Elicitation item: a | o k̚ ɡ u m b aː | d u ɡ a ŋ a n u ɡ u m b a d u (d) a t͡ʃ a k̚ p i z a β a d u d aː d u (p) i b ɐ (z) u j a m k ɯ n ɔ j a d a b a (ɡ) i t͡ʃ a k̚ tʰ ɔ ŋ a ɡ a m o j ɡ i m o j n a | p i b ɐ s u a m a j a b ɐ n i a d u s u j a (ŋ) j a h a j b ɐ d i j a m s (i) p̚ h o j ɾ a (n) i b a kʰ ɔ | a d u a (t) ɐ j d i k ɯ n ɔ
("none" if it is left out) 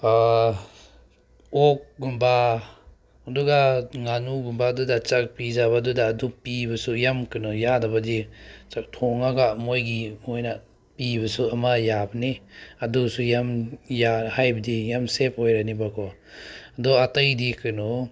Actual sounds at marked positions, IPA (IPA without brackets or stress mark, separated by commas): d, p, s, d, m, e, n, t